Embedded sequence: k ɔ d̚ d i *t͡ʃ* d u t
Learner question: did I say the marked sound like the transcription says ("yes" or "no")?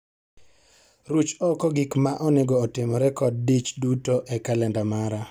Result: yes